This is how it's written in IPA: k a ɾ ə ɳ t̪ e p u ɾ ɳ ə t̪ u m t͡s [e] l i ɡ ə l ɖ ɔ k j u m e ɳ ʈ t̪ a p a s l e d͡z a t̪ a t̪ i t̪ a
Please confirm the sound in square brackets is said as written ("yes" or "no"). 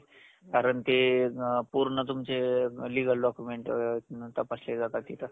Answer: yes